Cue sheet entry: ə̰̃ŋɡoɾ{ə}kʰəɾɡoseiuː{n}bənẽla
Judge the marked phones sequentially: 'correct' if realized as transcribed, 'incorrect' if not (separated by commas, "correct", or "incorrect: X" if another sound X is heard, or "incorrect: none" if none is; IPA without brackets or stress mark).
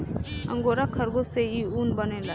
incorrect: a, correct